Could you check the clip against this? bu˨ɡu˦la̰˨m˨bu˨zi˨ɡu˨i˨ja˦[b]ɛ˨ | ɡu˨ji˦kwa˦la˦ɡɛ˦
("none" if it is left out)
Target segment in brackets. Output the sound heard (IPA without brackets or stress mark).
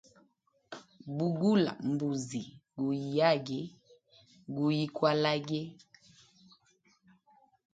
ɡ